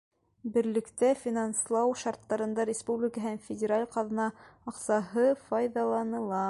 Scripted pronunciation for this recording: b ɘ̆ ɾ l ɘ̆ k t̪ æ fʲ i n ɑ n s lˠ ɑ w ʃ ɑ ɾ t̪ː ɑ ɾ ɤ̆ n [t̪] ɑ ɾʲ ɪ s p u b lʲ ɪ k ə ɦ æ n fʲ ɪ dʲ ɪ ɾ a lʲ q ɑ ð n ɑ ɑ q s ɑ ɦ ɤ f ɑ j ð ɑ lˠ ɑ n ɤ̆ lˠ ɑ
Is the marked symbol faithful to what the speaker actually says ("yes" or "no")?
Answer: no